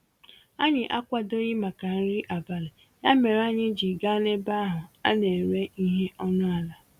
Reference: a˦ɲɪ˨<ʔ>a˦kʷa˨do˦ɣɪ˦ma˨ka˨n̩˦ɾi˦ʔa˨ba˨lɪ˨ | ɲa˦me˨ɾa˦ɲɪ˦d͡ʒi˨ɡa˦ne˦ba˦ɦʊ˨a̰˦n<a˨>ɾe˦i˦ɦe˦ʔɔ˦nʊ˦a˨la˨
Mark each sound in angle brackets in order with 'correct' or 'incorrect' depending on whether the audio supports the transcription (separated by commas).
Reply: correct, incorrect